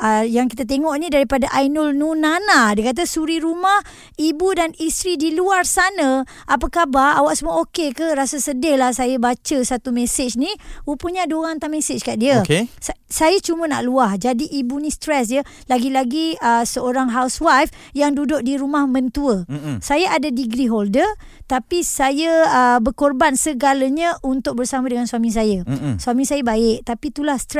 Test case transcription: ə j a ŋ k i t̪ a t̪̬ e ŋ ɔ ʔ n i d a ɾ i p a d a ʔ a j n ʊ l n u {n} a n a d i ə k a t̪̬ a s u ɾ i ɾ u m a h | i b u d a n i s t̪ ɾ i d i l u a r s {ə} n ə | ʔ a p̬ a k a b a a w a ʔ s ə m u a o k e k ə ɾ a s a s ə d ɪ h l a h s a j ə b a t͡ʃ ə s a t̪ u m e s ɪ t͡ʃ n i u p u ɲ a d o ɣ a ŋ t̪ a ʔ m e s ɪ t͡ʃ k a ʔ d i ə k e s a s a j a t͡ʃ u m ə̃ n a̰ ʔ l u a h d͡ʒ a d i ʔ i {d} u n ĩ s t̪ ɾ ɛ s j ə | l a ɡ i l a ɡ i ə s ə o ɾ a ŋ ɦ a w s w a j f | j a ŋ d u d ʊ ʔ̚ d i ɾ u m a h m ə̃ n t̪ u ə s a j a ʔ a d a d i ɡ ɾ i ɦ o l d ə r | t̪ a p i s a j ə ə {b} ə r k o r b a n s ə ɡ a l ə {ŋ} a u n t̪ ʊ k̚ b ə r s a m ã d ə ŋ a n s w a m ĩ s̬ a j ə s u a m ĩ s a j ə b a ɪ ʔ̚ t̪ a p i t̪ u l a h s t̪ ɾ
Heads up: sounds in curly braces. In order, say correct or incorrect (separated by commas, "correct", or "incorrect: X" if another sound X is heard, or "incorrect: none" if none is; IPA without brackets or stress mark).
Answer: correct, incorrect: a, incorrect: b, correct, incorrect: ɲ